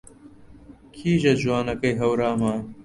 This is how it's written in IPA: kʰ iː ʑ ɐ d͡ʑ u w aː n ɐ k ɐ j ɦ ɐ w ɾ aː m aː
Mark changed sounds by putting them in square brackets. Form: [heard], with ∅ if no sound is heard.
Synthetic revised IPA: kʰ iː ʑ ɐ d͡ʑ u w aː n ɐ k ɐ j ɦ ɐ w ɾ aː m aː